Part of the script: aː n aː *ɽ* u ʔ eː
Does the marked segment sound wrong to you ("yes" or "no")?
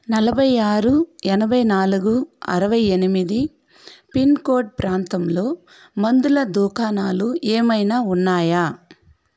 yes